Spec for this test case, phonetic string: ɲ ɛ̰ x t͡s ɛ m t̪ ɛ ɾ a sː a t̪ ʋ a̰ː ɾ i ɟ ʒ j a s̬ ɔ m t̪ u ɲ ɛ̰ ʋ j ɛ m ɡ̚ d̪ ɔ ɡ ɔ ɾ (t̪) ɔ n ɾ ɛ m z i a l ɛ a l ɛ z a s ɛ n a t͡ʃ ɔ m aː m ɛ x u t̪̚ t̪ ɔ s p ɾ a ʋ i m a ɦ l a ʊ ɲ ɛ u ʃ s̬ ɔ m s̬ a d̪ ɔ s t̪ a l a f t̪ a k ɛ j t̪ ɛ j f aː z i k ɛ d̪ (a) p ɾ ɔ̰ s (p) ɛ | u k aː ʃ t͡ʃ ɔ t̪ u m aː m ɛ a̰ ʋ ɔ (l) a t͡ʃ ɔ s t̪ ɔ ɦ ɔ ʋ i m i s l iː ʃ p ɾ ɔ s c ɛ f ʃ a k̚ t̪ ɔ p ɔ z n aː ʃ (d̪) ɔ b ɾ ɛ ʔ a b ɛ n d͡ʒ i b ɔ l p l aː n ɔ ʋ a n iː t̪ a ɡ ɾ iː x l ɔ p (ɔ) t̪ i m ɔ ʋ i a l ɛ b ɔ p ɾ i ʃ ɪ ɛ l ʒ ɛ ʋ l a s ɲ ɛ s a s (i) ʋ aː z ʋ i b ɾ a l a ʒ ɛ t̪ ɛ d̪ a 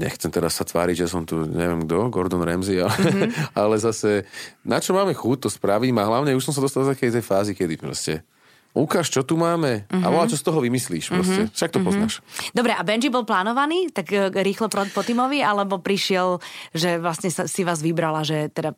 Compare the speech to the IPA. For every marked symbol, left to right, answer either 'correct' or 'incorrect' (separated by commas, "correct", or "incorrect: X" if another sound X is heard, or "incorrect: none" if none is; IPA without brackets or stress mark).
incorrect: d̪, incorrect: i, incorrect: c, correct, correct, correct, correct